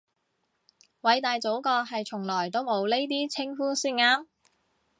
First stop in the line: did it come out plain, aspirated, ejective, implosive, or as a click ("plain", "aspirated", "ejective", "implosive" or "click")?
plain